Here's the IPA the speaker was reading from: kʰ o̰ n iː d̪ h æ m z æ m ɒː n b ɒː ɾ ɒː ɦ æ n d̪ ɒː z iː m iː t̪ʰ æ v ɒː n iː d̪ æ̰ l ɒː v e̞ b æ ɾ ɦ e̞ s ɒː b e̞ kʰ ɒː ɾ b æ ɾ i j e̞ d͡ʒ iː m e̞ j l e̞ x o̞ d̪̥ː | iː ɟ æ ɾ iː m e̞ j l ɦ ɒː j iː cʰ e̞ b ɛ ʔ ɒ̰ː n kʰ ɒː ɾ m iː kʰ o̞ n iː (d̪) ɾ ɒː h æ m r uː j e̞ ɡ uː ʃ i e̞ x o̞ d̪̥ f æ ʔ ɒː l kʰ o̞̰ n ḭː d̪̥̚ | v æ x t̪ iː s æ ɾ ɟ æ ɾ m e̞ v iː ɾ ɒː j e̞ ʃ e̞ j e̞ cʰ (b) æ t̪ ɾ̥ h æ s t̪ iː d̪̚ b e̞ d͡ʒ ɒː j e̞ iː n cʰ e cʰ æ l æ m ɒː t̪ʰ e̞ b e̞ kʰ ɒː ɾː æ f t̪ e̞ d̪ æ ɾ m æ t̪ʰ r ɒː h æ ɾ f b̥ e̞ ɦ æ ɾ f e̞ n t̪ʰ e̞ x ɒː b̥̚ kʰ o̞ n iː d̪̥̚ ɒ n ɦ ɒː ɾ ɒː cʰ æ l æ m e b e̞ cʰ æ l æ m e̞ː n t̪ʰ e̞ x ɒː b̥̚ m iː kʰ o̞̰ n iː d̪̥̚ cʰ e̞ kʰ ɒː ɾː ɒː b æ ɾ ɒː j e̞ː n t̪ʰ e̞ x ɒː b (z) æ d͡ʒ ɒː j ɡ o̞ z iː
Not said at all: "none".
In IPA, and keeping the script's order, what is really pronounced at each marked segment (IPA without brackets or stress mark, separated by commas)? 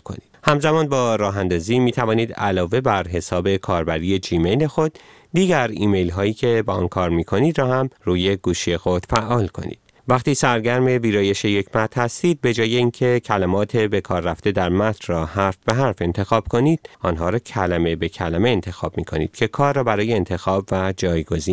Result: d̪, m, v